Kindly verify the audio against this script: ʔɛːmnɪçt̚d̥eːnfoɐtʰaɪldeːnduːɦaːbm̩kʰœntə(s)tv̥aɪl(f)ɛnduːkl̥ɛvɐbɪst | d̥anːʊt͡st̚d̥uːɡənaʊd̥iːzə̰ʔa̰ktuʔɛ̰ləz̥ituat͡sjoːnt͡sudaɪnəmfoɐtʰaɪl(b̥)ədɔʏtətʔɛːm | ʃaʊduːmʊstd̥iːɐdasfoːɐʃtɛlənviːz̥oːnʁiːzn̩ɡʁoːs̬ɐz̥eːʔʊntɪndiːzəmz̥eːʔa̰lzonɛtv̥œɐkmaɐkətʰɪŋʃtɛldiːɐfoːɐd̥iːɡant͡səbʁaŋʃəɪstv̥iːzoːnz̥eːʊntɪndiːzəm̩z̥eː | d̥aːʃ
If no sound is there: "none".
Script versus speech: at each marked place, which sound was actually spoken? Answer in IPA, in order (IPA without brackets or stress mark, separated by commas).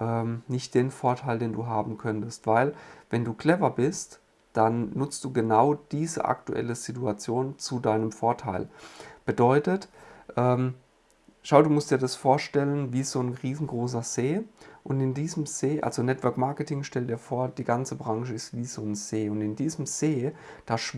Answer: s, v, b̥